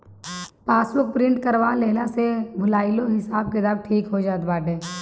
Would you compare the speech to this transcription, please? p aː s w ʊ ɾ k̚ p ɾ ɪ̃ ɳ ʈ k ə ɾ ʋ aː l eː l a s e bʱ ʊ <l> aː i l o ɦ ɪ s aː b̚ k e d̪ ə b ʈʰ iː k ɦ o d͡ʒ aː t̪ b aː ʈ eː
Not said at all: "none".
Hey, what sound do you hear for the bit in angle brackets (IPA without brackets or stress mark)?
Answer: l